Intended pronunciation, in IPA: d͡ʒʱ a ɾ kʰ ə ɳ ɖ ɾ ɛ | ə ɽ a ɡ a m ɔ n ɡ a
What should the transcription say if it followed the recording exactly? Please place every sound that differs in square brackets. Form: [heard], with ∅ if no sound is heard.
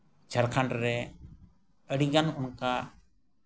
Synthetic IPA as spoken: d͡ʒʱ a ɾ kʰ [a] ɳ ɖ ɾ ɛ | ə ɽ [i] ɡ a [n] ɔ n [k] a